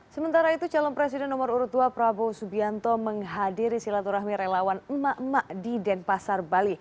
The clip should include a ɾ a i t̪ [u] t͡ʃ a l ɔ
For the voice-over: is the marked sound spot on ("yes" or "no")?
yes